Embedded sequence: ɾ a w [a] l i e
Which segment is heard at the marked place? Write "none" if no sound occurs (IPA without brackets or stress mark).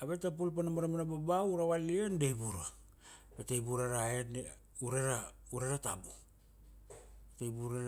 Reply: a